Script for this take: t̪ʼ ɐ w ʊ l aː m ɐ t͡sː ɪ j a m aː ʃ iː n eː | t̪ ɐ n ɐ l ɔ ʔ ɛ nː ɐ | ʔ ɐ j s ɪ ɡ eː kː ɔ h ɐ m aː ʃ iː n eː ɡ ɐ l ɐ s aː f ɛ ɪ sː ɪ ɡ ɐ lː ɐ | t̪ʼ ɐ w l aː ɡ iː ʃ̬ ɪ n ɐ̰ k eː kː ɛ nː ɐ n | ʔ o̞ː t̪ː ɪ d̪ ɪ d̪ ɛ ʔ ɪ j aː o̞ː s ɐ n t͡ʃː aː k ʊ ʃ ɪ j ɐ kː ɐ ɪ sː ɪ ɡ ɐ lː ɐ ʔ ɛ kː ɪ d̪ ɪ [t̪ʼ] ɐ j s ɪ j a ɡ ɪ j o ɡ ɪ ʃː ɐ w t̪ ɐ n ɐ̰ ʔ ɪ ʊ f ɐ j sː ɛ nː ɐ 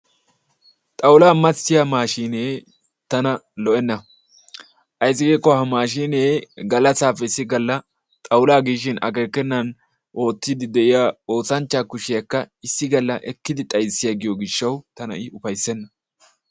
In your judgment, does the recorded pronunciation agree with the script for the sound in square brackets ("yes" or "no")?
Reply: yes